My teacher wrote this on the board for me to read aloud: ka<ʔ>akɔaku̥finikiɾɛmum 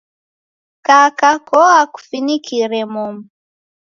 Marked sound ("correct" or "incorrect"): incorrect